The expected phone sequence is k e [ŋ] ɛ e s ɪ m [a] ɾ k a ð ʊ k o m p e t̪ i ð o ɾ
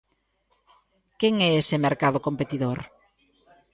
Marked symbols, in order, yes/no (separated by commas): yes, no